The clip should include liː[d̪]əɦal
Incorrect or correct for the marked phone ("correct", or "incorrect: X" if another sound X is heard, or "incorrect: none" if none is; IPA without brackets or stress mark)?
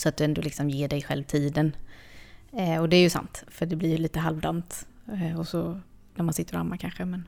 incorrect: t̪